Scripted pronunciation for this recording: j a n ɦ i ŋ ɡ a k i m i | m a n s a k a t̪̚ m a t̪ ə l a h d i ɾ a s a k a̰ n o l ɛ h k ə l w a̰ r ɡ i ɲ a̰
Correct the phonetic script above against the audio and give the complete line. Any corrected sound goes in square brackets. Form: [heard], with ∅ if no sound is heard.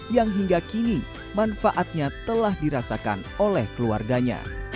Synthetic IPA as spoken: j a [ŋ] ɦ i ŋ ɡ a k i [n] i | m a n [f] a [ʔ] a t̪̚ [ɲ] a t̪ ə l a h d i ɾ a s a k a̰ n o l ɛ h k ə l [u] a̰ r ɡ [a] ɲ a̰